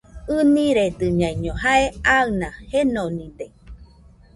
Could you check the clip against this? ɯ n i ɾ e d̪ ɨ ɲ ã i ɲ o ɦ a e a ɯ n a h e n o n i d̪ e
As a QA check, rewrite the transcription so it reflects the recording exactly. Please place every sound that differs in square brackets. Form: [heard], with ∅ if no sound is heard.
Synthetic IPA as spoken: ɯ n i ɾ e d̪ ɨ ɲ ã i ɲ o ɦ a e a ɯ n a h e n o n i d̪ e